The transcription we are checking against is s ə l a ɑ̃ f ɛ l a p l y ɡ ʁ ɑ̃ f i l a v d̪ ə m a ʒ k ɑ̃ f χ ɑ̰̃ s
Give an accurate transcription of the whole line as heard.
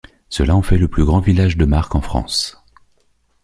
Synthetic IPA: s ə l a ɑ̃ f ɛ l ə p l y ɡ ʁ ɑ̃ v i l a ʒ d̪ ə m a ʁ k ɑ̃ f χ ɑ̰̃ s

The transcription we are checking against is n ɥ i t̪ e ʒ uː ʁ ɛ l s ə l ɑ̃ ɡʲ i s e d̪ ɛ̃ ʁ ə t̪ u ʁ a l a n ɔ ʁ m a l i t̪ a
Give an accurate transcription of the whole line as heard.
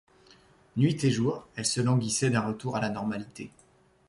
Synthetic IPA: n ɥ i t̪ e ʒ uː ʁ ɛ l s ə l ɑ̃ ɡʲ i s ɛ d̪ ɛ̃ ʁ ə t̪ u ʁ a l a n ɔ ʁ m a l i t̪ e

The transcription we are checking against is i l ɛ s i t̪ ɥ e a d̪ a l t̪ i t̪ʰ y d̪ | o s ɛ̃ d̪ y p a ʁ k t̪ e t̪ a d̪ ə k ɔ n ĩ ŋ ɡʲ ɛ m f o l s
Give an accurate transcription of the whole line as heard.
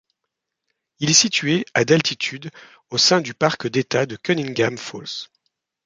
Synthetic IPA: i l ɛ s i t̪ ɥ e a d̪ a l t̪ i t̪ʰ y d̪ | o s ɛ̃ d̪ y p a ʁ k d̪ e t̪ a d̪ ə k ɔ n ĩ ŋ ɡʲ a m f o l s

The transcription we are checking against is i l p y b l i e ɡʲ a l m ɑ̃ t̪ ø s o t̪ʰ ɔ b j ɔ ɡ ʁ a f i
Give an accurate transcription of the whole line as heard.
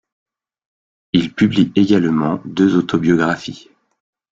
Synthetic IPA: i l p y b l i e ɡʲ a l m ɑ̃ d̪ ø z o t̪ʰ ɔ b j ɔ ɡ ʁ a f i

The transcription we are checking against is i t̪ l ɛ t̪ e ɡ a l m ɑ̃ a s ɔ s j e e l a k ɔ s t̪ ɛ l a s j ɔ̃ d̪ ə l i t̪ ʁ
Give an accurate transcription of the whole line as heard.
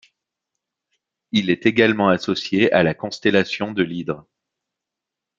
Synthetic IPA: i l ɛ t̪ e ɡ a l m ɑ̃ a s ɔ s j e a l a k ɔ̃ s t̪ ɛ l a s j ɔ̃ d̪ ə l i d̪ ʁ

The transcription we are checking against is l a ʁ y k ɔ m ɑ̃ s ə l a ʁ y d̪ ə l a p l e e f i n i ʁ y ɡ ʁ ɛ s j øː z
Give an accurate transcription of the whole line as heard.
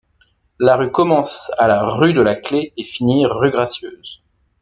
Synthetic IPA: l a ʁ y k ɔ m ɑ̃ s a l a ʁ y d̪ ə l a k l e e f i n i ʁ y ɡ ʁ a s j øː z

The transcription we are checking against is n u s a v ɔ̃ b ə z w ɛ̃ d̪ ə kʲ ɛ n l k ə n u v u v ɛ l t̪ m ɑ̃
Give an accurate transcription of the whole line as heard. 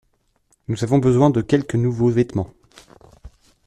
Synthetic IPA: n u z a v ɔ̃ b ə z w ɛ̃ d̪ ə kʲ ɛ l k ə n u v o v ɛ t̪ m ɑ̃

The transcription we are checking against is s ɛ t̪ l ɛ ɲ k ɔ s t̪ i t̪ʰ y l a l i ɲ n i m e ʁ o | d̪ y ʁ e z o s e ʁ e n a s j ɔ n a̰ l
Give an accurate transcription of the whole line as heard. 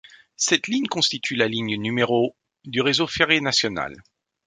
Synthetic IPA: s ɛ t̪ l i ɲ k ɔ̃ s t̪ i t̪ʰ y l a l i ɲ n y m e ʁ o | d̪ y ʁ e z o f e ʁ e n a s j ɔ n a̰ l

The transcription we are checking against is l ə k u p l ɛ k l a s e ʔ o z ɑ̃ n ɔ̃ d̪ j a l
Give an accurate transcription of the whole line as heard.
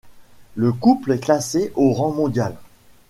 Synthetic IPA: l ə k u p l ɛ k l a s e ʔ o ʁ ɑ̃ m ɔ̃ d̪ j a l

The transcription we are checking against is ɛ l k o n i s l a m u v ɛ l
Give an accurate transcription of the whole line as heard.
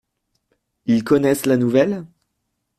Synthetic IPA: i l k ɔ n ɛ s l a n u v ɛ l

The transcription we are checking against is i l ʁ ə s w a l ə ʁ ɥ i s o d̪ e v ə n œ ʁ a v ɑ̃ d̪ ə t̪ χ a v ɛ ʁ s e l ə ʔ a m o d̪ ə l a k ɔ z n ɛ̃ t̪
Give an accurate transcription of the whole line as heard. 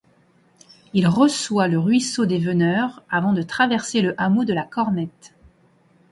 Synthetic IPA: i l ʁ ə s w a l ə ʁ ɥ i s o d̪ e v ə n œ ʁ a v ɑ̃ d̪ ə t̪ χ a v ɛ ʁ s e l ə ʔ a m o d̪ ə l a k ɔ ʁ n ɛ t̪

